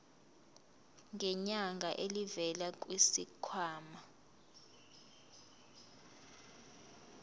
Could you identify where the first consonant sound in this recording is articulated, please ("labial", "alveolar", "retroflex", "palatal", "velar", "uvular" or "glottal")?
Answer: velar